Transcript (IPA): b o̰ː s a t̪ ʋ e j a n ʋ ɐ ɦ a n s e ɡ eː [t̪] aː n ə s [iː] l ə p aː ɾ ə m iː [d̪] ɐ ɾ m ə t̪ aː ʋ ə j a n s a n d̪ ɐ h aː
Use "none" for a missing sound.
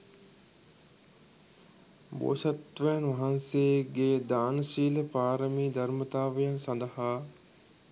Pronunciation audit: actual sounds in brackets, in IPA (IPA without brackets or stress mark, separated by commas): d̪, iː, d̪